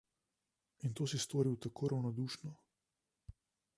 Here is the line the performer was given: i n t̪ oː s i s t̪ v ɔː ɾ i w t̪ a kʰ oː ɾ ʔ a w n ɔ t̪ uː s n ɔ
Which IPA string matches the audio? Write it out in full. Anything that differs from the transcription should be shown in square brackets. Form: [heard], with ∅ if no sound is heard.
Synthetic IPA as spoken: i n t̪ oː s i s t̪ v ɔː ɾ i w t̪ a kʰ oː ɾ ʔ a w n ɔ [d̪] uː [ʃ] n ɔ